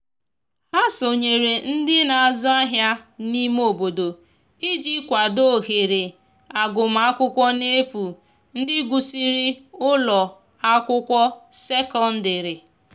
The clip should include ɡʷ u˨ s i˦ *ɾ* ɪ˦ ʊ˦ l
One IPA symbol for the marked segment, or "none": ɾ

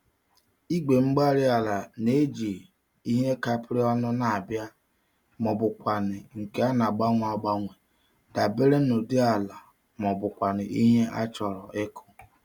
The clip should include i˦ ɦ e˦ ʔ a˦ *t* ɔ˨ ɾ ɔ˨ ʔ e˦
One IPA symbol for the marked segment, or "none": t͡ʃ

